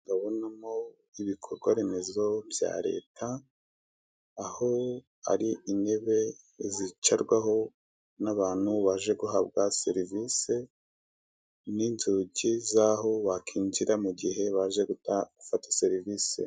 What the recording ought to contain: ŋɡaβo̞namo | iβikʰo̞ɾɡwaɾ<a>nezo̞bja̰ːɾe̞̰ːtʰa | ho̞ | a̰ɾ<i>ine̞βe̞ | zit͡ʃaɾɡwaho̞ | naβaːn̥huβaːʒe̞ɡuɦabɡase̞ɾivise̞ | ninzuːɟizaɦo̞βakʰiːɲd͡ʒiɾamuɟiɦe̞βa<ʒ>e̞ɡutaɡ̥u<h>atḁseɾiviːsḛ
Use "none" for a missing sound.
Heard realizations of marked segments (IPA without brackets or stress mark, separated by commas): e, i, ʒ, f